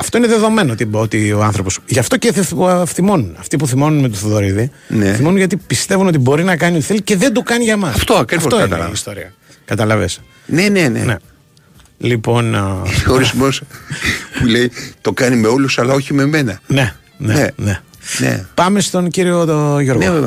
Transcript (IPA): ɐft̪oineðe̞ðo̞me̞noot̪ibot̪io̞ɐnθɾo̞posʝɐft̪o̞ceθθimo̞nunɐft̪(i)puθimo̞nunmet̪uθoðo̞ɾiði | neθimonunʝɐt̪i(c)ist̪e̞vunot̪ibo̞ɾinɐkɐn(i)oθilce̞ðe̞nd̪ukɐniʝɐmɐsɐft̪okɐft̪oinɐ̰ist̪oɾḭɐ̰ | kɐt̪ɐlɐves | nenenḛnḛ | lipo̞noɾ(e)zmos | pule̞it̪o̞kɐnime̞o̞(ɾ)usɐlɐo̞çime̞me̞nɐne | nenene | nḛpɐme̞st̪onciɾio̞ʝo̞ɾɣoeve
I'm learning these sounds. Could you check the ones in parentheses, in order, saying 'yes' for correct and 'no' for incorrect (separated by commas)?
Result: yes, no, yes, no, no